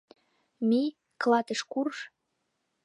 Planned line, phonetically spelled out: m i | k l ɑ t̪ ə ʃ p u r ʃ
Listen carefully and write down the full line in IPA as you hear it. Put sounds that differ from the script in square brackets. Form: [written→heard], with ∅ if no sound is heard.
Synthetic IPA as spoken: m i | k l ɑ t̪ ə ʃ [p→k] u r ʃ